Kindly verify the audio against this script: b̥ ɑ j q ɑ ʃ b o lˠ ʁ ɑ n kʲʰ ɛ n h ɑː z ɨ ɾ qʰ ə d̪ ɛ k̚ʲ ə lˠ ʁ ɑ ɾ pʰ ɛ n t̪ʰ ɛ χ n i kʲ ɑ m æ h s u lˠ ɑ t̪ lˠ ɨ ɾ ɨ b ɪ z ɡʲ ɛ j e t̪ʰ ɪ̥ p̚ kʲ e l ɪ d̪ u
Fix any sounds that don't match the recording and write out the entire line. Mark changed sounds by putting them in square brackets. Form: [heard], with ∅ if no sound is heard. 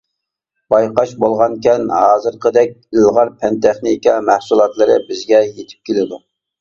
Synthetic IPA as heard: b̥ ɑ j q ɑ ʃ b o lˠ ʁ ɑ n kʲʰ ɛ n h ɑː z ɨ ɾ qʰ ə d̪ ɛ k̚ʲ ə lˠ ʁ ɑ ɾ pʰ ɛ n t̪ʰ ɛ χ n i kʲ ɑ m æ h s u lˠ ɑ t̪ lˠ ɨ ɾ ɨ b ɪ z ɡʲ ɛ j e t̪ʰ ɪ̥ p̚ kʲ e l ɪ d̪ u